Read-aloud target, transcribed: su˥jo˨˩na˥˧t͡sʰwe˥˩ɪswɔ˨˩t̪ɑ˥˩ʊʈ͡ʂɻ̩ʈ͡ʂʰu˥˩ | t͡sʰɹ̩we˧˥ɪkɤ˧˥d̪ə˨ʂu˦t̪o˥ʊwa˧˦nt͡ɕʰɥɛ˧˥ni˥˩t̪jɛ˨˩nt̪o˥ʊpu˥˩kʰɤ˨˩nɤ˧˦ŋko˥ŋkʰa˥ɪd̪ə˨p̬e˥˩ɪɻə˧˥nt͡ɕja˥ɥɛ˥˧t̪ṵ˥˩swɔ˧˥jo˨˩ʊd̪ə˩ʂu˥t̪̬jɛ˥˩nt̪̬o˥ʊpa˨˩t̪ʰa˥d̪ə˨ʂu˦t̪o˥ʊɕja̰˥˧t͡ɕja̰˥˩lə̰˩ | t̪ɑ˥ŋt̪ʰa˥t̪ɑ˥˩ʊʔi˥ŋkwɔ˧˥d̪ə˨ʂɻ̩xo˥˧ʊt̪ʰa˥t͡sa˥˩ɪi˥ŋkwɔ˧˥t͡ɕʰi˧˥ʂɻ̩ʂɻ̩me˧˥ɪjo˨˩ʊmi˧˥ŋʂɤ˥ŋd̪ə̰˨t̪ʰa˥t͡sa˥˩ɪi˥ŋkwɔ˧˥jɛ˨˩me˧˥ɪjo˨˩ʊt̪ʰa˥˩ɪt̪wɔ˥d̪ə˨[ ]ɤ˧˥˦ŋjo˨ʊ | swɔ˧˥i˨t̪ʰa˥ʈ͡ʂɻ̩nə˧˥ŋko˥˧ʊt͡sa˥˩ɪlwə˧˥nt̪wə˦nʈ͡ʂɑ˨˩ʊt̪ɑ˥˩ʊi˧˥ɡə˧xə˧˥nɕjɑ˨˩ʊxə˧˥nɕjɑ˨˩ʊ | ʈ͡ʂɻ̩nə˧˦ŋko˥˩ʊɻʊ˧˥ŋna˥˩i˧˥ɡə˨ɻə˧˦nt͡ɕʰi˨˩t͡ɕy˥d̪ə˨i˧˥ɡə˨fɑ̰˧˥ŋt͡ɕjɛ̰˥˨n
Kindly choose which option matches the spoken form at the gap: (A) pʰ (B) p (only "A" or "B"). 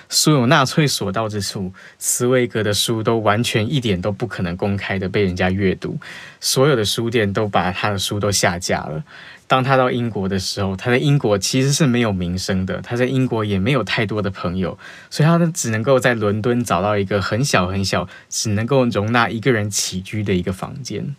A